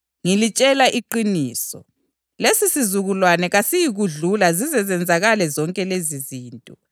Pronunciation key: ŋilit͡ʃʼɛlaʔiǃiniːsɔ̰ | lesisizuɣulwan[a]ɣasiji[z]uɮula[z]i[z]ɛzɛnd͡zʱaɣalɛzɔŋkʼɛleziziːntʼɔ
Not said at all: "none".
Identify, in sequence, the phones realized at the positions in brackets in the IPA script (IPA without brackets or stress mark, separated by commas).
ɛ, ɣ, z, z